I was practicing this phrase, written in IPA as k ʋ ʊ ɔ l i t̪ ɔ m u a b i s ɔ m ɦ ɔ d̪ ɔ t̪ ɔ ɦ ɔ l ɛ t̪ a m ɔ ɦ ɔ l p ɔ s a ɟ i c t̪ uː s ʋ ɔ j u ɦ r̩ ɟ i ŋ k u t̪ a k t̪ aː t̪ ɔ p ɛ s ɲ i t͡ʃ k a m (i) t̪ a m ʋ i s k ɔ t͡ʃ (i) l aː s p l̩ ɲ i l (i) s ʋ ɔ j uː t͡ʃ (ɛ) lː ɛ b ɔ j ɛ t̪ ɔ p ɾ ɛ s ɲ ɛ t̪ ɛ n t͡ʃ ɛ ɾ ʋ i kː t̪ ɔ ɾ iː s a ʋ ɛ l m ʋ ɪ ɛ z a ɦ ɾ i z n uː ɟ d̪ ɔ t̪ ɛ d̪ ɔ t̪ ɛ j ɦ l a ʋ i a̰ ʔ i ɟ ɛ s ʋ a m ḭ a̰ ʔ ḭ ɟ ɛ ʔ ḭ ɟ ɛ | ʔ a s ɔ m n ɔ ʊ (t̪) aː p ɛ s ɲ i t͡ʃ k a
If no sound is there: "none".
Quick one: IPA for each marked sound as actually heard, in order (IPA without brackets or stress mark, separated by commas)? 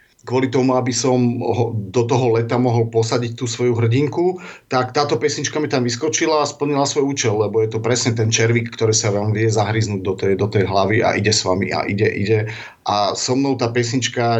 i, i, a, ɛ, t̪